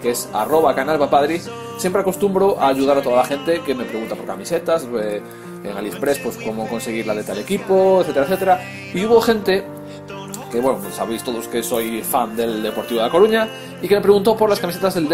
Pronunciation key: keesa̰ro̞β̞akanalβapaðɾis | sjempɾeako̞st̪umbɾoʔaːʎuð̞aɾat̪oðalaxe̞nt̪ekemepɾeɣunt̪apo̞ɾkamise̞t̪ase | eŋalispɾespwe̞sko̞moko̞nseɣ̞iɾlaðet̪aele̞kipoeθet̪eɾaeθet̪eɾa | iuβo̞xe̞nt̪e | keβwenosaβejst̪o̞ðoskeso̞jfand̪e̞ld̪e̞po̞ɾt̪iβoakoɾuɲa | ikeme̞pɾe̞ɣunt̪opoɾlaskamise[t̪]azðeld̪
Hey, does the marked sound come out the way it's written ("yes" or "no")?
yes